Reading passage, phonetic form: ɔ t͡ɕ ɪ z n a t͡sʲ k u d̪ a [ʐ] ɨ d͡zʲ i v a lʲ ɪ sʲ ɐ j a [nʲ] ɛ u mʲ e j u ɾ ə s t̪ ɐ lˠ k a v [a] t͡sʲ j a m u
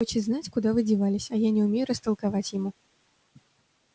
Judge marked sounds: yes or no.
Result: no, yes, yes

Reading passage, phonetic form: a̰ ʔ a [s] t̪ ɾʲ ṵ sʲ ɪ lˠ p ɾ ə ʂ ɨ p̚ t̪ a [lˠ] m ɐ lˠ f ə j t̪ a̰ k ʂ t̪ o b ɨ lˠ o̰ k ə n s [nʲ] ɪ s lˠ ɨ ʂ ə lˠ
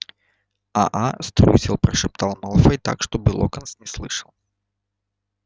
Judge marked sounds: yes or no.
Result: yes, yes, yes

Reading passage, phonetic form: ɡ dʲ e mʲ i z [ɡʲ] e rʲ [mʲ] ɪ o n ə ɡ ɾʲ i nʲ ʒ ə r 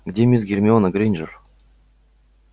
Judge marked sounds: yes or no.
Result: yes, yes

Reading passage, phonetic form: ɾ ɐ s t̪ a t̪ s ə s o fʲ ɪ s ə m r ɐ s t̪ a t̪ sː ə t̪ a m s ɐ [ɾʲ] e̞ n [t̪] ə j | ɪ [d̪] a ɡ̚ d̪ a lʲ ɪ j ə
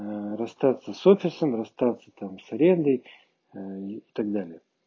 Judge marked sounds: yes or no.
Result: yes, no, no

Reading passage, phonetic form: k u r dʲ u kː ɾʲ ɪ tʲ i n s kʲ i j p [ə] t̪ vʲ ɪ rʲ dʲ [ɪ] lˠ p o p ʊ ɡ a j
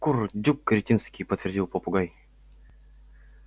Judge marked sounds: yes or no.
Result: yes, no

